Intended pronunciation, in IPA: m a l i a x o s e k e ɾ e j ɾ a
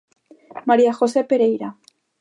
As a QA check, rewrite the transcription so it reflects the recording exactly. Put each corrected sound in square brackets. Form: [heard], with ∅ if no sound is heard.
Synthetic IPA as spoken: m a [ɾ] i a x o s e [p] e ɾ e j ɾ a